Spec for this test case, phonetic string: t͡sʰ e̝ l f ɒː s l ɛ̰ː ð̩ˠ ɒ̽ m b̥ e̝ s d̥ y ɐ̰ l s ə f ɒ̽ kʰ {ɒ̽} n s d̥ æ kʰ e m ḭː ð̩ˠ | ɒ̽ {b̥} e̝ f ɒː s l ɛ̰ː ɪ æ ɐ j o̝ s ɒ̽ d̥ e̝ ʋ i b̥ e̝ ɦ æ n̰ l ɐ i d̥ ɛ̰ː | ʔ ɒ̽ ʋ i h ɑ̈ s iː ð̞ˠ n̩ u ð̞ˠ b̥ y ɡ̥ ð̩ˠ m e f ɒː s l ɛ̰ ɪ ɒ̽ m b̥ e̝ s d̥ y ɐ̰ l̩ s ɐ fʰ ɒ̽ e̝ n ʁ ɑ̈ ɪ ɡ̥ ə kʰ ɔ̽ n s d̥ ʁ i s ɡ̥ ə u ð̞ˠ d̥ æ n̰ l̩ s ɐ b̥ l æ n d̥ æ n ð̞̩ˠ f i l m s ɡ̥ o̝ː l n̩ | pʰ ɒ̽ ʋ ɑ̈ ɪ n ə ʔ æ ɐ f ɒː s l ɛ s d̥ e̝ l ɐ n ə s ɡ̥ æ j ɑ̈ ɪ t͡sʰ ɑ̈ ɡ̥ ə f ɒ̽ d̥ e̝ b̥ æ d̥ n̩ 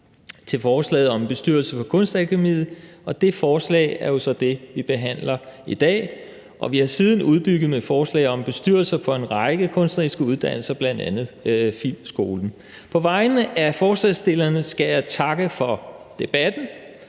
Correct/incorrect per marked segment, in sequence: incorrect, incorrect

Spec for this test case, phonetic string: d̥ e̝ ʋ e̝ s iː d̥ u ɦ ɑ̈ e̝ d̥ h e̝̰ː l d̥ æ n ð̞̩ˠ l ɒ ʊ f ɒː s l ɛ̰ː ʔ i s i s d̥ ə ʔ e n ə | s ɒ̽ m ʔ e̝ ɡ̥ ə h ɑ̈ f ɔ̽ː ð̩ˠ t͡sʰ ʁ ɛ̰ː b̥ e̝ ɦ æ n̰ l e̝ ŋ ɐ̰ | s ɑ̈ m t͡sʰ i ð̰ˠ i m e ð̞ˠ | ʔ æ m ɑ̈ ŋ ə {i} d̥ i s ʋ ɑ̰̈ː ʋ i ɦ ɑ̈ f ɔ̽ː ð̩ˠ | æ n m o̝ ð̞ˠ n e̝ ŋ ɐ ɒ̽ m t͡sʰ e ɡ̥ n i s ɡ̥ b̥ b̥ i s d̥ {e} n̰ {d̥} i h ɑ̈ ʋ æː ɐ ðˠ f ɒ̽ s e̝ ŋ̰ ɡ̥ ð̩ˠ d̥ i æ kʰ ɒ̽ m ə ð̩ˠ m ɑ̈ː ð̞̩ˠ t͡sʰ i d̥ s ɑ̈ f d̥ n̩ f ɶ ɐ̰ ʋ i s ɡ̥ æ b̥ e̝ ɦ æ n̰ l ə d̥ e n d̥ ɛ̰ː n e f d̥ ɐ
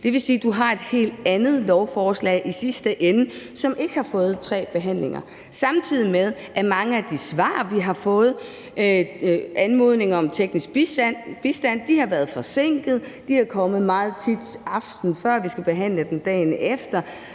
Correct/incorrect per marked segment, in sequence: incorrect, incorrect, correct

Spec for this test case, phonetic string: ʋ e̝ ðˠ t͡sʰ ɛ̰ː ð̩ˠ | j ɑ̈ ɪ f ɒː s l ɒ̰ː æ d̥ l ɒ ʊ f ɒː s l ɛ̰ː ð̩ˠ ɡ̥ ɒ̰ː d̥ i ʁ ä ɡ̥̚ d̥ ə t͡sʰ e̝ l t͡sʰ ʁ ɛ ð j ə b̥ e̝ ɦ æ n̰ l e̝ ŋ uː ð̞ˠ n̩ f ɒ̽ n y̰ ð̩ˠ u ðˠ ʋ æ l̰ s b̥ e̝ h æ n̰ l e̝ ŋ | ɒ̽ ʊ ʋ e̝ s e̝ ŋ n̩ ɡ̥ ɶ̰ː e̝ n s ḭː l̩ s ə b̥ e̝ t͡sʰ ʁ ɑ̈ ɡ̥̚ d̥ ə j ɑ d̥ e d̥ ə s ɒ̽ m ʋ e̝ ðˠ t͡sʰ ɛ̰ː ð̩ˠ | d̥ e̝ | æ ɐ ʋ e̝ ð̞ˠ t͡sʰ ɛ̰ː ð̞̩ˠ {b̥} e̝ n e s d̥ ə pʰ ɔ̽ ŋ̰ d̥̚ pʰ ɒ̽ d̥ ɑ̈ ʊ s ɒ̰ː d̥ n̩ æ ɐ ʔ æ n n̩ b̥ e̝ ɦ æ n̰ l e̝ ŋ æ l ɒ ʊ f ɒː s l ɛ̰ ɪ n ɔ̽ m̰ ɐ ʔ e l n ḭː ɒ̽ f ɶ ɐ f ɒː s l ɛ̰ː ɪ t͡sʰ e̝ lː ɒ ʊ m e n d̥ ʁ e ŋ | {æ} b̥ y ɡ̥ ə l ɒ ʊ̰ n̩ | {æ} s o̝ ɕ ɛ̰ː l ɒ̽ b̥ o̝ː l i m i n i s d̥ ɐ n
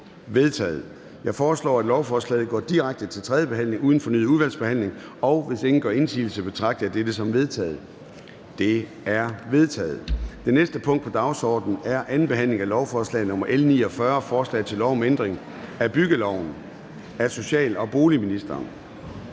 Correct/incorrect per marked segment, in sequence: incorrect, correct, correct

